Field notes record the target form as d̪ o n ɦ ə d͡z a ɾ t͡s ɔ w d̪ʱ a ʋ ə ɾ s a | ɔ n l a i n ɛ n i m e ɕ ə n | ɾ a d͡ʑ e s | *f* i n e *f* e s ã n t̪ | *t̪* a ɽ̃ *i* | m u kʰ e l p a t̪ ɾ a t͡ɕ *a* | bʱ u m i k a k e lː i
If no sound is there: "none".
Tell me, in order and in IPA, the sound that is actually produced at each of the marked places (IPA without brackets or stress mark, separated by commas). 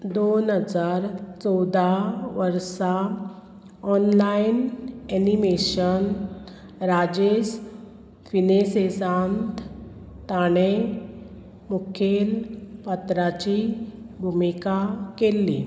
f, s, t̪, e, i